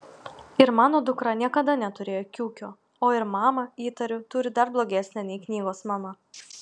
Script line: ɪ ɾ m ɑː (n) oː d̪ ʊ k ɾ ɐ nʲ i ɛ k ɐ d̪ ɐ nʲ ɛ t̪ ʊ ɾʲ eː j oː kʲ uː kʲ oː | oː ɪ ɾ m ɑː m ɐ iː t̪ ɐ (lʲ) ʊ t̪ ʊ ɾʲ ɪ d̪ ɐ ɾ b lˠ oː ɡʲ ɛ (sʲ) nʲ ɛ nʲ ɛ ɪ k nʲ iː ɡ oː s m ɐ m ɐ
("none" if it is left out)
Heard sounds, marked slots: n, ɾʲ, sʲ

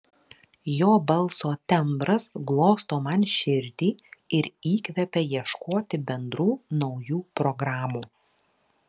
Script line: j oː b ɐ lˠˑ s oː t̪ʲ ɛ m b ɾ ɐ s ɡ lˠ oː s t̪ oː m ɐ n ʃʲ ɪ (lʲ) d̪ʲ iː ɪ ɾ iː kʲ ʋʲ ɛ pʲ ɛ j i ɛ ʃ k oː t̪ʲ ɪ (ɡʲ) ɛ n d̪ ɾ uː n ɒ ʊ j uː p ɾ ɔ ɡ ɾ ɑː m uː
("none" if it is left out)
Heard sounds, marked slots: ɾʲ, bʲ

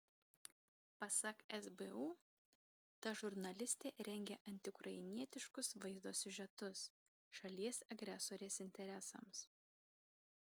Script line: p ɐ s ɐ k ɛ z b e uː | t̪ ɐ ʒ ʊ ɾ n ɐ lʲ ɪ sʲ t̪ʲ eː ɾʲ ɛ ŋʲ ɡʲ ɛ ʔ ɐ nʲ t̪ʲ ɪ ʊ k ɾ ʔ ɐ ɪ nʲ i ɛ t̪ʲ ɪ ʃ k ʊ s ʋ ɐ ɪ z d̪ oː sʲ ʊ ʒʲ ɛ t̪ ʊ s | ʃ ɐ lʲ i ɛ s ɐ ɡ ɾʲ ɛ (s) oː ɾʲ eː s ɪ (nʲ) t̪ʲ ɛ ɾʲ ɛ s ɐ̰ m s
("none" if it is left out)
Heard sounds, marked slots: s, nʲ

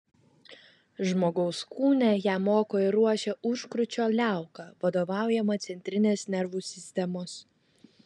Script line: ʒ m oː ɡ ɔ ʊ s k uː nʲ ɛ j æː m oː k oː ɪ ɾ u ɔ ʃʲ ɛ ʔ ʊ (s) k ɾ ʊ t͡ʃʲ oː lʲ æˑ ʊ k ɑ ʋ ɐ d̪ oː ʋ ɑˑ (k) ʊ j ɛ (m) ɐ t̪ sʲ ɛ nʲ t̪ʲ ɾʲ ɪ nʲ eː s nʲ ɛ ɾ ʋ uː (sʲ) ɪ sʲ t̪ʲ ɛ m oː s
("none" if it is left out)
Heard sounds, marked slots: ʃ, none, m, sʲ

